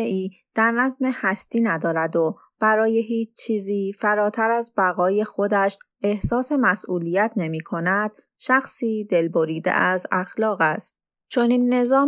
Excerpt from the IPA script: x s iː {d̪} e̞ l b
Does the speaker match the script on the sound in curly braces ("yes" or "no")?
yes